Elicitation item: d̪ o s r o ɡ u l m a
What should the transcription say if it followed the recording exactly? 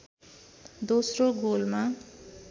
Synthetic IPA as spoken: d̪ o s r o ɡ o l m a